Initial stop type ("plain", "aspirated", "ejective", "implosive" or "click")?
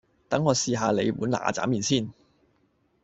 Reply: plain